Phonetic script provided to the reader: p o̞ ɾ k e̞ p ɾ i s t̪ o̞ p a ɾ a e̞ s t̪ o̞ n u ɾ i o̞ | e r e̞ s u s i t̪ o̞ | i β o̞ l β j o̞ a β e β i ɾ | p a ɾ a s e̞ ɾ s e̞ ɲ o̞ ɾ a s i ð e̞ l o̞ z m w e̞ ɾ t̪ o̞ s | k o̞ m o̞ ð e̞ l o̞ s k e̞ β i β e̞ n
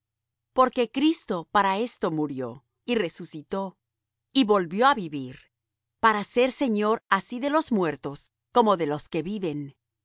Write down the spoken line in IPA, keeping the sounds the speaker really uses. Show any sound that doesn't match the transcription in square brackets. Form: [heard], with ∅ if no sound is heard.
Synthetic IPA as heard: p o̞ ɾ k e̞ [k] ɾ i s t̪ o̞ p a ɾ a e̞ s t̪ o̞ [m] u ɾ [j] o̞ | [i] r e̞ s u s i t̪ o̞ | i β o̞ l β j o̞ a β [i] β i ɾ | p a ɾ a s e̞ ɾ s e̞ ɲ o̞ ɾ a s i ð e̞ l o̞ z m w e̞ ɾ t̪ o̞ s | k o̞ m o̞ ð e̞ l o̞ s k e̞ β i β e̞ n